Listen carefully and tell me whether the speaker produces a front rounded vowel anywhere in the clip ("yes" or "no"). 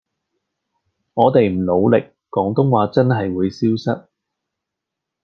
no